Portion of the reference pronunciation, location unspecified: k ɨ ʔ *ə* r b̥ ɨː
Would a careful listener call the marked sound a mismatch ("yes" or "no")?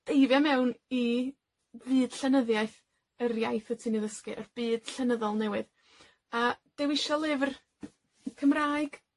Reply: no